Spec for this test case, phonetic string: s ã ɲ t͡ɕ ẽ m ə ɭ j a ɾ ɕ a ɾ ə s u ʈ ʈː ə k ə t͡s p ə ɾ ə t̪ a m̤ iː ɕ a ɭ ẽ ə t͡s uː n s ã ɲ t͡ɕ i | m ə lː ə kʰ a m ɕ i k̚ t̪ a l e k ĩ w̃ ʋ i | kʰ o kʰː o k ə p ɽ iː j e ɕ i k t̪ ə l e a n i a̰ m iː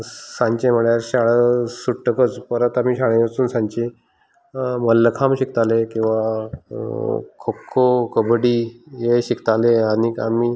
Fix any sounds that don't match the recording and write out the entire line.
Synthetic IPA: s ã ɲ t͡ɕ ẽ m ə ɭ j a ɾ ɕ a ɭ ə s u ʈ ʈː ə k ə t͡s p ə ɾ ə t̪ a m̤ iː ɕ a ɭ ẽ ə t͡s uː n s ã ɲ t͡ɕ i | m ə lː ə kʰ a m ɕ i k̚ t̪ a l e k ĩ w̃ ʋ a | kʰ o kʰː o k ə b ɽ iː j e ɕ i k t̪ a l e a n i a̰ m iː

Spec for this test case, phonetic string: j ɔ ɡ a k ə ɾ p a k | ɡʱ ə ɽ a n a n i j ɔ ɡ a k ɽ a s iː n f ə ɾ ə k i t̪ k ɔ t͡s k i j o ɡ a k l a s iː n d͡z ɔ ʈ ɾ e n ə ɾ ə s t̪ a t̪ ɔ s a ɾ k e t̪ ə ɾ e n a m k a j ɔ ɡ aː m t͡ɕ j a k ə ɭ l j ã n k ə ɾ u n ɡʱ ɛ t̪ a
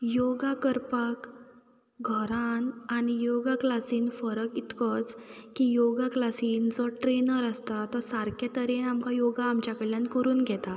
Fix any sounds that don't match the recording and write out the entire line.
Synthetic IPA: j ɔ ɡ a k ə ɾ p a k | ɡʱ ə ɾ a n a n i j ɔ ɡ a k l a s iː n f ə ɾ ə k i t̪ k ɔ t͡s k i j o ɡ a k l a s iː n d͡z ɔ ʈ ɾ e n ə ɾ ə s t̪ a t̪ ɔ s a ɾ k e t̪ ə ɾ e n a m k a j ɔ ɡ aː m t͡ɕ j a k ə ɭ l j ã n k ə ɾ uː n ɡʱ ɛ t̪ a

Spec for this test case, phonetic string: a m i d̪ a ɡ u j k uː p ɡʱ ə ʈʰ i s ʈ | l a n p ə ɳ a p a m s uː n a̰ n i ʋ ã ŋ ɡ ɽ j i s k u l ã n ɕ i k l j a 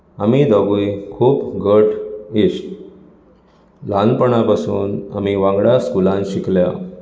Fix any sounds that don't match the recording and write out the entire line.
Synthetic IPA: a m i d̪ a ɡ u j kʰ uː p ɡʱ ə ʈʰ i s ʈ | l a n p ə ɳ a p a s uː n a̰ m i ʋ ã ŋ ɡ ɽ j a s k u l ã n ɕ i k l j a

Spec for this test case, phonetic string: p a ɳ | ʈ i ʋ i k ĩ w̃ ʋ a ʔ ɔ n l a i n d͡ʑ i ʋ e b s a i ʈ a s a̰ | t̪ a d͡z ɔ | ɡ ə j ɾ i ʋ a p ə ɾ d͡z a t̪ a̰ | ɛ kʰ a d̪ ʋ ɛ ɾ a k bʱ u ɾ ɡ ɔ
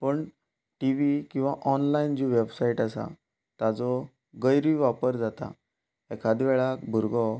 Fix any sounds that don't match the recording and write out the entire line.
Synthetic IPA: p ə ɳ | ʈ i ʋ i k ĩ w̃ ʋ a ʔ ɔ n l a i n d͡ʑ i ʋ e b s a i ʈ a s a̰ | t̪ a d͡z ɔ | ɡ ə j ɾ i ʋ a p ə ɾ d͡z a t̪ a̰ | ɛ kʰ a d̪ ʋ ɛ ɭ a k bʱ u ɾ ɡ ɔ

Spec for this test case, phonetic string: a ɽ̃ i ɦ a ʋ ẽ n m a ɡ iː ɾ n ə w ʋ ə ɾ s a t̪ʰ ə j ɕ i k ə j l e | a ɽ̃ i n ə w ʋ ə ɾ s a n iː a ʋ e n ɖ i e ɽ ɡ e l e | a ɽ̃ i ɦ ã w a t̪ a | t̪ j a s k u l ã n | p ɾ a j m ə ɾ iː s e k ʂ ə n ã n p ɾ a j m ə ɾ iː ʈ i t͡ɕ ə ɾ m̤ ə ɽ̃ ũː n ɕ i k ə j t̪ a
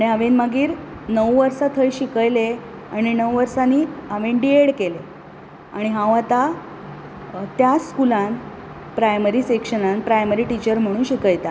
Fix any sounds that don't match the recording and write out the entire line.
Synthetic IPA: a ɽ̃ i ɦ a ʋ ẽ n m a ɡ iː ɾ n ə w ʋ ə ɾ s a t̪ʰ ə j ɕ i k ə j l e | a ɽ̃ i n ə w ʋ ə ɾ s a n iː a ʋ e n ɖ i e ɽ k e l e | a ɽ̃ i ɦ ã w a t̪ a | t̪ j a s k u l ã n | p ɾ a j m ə ɾ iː s e k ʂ ə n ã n p ɾ a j m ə ɾ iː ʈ i t͡ɕ ə ɾ m̤ ə ɽ̃ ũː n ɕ i k ə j t̪ a

